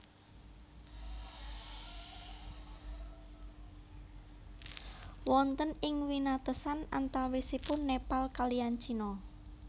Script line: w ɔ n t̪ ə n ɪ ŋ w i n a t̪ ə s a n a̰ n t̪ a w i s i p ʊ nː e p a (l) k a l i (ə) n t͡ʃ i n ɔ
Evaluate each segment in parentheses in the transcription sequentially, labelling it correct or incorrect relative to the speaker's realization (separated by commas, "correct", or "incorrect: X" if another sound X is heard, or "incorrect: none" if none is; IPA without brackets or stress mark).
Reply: correct, incorrect: a